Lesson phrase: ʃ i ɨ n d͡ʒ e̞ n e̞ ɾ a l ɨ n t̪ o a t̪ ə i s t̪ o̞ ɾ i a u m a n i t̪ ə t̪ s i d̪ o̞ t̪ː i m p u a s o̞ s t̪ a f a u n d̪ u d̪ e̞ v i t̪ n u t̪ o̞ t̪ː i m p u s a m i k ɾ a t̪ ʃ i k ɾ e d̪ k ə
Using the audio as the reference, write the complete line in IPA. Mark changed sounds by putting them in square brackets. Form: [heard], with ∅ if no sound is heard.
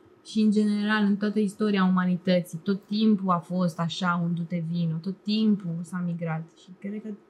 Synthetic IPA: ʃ i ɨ n d͡ʒ e̞ n e̞ ɾ a l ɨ n t̪ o a t̪ ə i s t̪ o̞ ɾ i a u m a n i t̪ ə t̪ s i [t̪] o̞ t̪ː i m p u a [f] o̞ s t̪ a [ʃ] a u n d̪ u [t̪] e̞ v i [∅] n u t̪ o̞ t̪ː i m p u s a m i [ɡ] ɾ a t̪ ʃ i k ɾ e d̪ k ə